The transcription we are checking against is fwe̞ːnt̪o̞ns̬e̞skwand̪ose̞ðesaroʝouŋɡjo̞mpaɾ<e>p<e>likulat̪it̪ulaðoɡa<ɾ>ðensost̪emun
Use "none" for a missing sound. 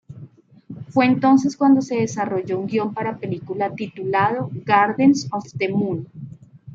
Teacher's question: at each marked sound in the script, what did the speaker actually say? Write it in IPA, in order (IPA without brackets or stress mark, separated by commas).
a, e, ɾ